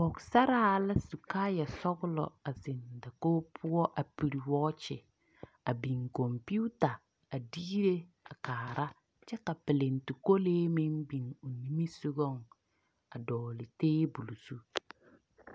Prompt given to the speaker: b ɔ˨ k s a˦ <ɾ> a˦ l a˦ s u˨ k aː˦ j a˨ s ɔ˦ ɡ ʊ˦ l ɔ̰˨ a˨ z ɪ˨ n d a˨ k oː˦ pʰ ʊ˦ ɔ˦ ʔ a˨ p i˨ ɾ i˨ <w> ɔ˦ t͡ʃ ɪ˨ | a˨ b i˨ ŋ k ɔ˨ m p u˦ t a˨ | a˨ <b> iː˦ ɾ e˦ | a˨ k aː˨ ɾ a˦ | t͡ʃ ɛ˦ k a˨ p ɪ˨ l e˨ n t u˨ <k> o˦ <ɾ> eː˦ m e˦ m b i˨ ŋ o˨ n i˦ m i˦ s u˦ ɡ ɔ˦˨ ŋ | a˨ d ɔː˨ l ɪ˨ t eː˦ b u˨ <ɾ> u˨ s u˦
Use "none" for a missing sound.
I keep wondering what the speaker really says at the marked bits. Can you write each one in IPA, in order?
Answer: ɾ, w, d, k, l, l

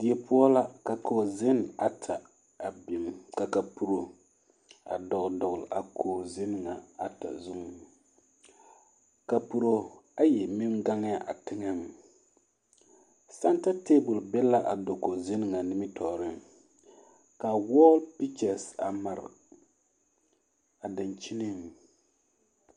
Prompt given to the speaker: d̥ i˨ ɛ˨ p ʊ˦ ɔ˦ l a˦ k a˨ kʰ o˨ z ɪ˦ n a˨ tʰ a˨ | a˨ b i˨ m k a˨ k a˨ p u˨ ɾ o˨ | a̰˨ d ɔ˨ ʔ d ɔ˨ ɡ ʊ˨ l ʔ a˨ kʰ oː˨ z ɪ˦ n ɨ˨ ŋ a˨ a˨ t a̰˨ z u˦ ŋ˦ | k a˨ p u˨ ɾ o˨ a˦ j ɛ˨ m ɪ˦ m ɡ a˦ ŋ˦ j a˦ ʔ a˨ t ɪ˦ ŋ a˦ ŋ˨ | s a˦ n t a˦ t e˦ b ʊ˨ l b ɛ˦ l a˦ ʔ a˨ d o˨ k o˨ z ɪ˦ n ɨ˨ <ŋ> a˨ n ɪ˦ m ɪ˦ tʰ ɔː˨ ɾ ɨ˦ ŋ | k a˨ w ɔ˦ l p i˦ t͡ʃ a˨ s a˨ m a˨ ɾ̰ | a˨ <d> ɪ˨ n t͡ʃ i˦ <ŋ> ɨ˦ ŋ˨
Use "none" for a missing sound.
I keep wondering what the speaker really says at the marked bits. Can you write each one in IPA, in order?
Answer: ŋ, d, n

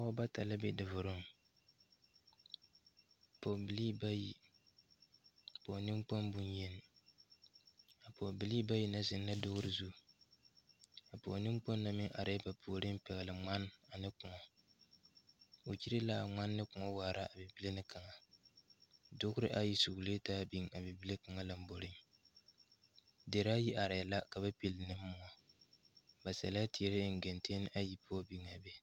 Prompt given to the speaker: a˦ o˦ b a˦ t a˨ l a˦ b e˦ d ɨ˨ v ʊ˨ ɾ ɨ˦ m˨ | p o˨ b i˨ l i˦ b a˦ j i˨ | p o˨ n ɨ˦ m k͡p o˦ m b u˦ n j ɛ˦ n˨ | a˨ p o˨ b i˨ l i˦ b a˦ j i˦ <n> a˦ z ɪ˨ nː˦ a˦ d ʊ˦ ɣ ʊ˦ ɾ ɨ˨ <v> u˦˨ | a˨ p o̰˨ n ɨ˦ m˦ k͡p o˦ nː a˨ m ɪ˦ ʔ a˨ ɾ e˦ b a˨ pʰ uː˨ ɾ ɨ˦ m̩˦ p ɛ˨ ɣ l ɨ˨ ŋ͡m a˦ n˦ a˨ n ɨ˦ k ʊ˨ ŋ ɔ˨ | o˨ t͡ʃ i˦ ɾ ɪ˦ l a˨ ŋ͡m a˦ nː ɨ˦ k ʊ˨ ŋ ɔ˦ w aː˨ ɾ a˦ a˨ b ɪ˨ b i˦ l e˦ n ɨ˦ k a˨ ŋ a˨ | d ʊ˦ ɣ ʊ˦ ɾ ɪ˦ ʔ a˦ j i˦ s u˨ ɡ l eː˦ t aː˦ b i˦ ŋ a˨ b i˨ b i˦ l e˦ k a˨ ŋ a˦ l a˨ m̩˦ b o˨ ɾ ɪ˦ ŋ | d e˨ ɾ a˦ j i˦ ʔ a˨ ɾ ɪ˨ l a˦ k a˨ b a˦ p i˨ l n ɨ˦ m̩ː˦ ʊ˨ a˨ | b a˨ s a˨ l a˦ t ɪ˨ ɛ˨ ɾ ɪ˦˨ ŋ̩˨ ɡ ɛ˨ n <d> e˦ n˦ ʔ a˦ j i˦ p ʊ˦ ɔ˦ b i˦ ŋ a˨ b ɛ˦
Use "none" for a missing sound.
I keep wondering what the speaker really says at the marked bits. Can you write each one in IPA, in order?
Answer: n, z, t

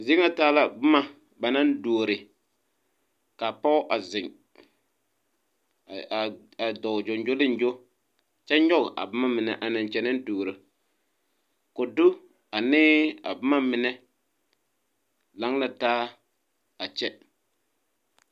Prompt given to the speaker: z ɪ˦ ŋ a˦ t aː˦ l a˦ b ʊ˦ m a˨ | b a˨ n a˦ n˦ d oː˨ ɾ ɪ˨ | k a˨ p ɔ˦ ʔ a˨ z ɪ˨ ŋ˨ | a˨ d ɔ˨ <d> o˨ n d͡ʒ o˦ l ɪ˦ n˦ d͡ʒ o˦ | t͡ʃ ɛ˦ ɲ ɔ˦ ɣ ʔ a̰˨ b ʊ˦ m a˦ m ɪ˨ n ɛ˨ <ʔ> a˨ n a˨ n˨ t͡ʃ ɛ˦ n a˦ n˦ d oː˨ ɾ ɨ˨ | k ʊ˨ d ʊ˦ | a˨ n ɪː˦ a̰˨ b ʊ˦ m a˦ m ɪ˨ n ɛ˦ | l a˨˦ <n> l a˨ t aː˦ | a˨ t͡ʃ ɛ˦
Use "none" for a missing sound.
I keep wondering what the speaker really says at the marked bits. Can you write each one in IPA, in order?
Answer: d͡ʒ, ʔ, ŋ

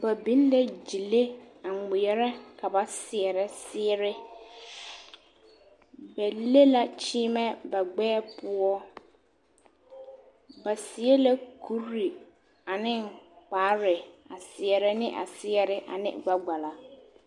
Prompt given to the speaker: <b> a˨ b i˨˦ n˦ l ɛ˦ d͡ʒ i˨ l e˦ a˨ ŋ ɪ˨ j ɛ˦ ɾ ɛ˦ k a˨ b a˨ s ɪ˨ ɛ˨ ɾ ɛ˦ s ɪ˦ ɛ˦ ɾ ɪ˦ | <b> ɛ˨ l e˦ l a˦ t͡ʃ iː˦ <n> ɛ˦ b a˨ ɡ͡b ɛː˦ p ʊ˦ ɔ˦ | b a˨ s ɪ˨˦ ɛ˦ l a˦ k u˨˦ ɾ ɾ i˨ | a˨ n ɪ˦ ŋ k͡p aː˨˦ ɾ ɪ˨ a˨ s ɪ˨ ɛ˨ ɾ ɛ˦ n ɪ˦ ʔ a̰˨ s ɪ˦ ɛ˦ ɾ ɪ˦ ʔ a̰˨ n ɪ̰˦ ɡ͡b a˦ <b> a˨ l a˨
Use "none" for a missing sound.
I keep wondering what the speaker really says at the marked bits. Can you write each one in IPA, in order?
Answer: b, b, m, ɡ͡b

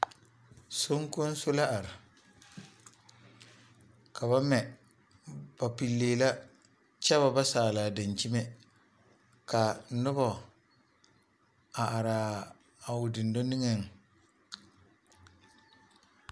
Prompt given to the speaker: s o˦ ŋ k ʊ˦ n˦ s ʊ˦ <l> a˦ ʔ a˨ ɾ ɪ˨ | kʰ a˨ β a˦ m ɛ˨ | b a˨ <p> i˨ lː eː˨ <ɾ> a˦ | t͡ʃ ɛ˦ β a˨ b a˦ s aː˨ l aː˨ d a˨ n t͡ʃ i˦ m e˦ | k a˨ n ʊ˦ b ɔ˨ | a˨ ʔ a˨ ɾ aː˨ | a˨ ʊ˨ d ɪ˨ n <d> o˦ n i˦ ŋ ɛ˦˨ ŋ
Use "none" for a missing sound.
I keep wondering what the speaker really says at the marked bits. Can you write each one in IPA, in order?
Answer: l, p, l, d

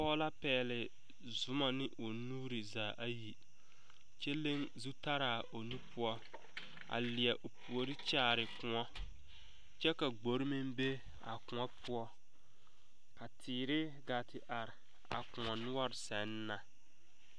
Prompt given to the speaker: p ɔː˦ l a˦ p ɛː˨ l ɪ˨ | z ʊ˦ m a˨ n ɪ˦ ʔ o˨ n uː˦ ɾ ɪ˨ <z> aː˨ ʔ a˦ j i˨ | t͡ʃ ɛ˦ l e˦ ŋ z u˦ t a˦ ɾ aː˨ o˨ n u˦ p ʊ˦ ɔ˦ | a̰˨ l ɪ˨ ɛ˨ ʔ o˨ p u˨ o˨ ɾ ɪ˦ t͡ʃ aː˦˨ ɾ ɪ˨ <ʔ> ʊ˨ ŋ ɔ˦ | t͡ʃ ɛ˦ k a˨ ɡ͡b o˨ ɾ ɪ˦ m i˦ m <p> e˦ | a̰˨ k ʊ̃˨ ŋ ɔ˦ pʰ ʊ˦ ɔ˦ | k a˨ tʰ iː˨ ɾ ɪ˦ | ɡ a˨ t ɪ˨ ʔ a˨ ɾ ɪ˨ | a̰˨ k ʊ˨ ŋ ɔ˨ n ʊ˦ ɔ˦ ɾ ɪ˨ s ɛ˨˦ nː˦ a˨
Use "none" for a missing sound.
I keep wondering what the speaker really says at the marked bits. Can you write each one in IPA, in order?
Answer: z, k, b

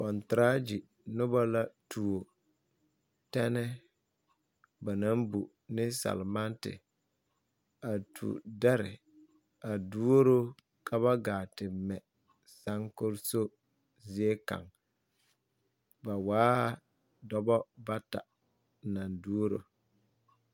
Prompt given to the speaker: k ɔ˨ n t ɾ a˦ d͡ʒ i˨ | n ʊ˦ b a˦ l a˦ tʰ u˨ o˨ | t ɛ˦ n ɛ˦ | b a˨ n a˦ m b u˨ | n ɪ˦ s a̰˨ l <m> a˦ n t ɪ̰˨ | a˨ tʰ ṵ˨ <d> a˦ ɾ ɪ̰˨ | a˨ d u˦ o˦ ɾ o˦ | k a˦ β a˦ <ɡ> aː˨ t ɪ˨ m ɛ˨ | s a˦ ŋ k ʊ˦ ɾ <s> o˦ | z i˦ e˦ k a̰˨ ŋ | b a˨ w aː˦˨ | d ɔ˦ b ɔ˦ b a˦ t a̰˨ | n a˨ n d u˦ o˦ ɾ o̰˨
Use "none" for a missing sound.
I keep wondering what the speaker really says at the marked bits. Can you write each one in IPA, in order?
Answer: m, d, ɡ, s

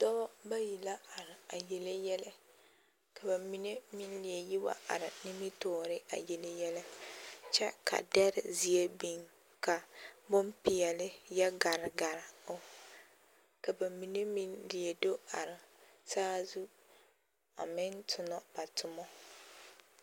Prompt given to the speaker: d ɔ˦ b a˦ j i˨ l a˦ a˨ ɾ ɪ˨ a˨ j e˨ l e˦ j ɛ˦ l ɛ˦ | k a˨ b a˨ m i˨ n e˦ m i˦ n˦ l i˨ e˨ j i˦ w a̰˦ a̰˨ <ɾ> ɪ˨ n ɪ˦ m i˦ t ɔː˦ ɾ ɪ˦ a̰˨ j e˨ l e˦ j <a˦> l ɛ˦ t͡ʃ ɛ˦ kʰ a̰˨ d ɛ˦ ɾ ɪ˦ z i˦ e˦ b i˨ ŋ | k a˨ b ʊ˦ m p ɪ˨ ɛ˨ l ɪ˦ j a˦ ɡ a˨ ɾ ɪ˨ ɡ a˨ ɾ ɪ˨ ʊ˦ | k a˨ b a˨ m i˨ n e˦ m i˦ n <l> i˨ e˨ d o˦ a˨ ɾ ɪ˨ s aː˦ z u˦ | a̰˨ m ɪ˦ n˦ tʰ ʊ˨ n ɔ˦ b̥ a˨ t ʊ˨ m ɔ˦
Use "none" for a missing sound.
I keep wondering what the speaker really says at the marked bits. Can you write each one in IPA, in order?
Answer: ɾ, ɛ˦, l

